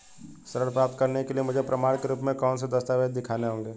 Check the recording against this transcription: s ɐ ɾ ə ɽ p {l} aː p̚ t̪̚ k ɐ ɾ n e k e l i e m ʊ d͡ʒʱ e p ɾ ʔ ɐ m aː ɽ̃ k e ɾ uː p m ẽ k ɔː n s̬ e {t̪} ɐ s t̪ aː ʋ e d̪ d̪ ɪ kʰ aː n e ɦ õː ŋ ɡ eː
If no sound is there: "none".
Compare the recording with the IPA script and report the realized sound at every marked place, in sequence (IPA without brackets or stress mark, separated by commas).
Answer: ɾ, d̪